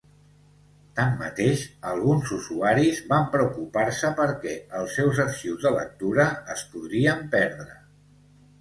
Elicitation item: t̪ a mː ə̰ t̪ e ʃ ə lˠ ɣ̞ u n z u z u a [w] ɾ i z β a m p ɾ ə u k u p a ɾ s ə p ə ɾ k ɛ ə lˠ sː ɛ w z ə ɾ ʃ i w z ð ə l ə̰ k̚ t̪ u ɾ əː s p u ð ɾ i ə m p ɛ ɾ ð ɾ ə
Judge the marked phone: incorrect: none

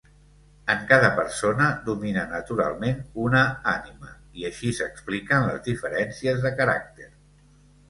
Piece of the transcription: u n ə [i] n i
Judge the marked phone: incorrect: a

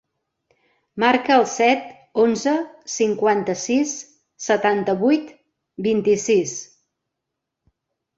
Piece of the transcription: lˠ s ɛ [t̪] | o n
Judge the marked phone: correct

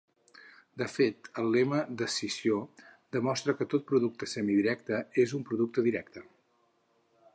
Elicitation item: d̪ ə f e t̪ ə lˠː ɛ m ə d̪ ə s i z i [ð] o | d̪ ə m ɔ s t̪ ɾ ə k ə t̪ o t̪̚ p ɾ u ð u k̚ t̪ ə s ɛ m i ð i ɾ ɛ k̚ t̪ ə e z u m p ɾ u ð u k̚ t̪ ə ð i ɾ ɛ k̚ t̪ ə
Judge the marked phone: incorrect: none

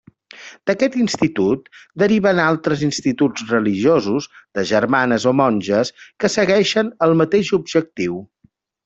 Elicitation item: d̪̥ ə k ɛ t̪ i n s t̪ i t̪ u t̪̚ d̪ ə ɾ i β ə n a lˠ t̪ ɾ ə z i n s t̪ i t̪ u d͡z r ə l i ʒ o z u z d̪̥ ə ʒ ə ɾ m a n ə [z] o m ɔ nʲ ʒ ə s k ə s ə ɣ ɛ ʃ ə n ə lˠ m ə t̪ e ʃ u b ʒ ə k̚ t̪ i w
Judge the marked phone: correct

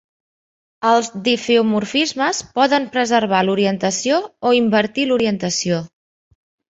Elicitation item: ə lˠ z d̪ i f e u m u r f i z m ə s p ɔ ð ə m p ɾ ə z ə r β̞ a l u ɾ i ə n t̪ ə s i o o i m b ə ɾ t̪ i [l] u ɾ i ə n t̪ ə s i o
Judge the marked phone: correct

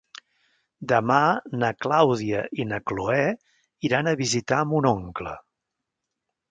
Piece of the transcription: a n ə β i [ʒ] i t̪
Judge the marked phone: incorrect: z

